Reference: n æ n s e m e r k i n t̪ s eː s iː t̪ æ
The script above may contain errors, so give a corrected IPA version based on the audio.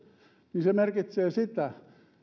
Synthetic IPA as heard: n i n s e m e r k i t̪ s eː s i t̪ æ